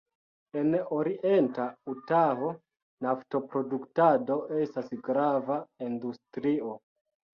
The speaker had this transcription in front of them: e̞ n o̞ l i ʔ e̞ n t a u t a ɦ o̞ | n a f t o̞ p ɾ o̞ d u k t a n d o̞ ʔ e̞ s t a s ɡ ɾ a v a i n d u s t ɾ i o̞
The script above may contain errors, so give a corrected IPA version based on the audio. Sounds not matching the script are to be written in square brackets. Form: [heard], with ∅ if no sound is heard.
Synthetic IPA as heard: e̞ n o̞ [ɾ] i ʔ e̞ n t a u t a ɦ o̞ | n a f t o̞ p ɾ o̞ d u k t a [∅] d o̞ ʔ e̞ s t a s ɡ ɾ a v a i n d u s t ɾ i o̞